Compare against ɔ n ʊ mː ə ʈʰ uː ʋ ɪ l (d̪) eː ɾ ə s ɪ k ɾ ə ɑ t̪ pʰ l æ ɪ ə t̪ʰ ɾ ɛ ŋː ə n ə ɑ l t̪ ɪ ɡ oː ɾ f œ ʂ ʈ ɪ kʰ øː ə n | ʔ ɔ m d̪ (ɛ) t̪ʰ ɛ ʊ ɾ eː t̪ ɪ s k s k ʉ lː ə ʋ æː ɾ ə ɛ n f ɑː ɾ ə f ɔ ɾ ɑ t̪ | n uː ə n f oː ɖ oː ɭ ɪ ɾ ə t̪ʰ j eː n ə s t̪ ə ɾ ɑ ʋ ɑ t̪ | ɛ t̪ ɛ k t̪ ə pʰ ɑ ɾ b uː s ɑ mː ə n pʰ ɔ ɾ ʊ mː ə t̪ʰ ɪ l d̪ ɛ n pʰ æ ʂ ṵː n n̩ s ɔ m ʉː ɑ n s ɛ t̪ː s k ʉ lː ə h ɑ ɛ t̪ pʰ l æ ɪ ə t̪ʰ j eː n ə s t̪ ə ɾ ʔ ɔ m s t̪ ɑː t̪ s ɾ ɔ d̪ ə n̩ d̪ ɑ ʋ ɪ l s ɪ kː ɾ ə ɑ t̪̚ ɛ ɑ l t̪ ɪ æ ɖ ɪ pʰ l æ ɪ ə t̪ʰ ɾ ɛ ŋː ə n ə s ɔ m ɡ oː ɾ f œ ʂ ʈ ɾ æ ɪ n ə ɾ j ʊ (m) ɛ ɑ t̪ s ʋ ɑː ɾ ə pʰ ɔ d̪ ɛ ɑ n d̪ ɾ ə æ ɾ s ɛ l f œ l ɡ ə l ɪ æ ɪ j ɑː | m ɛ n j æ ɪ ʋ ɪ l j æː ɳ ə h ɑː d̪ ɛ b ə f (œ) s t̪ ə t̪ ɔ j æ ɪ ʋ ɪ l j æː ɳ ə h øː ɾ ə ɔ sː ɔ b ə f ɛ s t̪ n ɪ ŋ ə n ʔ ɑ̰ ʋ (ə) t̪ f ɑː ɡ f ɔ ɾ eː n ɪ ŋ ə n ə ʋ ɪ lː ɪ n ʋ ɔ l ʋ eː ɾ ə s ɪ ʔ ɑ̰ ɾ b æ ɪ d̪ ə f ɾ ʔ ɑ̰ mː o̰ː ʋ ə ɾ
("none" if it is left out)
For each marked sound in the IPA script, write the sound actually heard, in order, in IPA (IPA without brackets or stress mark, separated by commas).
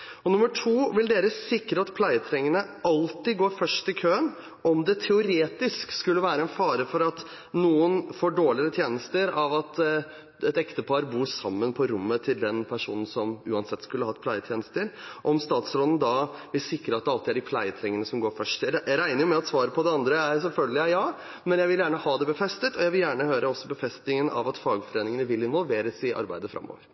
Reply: d̪, ɛ, m, ɛ, ɑ